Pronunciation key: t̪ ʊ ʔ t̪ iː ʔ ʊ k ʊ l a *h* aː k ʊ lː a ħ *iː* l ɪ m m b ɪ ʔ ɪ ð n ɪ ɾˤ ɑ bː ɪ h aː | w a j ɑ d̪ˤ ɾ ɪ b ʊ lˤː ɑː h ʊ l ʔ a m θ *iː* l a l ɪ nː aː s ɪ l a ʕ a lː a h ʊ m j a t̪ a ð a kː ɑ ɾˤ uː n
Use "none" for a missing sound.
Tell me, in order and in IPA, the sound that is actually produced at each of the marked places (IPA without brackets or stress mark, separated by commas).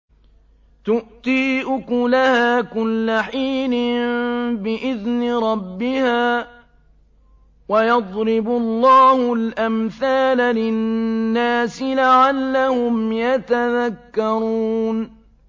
h, iː, aː